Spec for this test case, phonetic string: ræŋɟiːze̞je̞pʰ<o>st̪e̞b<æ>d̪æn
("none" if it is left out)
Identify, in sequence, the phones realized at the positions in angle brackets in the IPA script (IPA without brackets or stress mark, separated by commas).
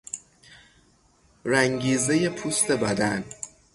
u, æ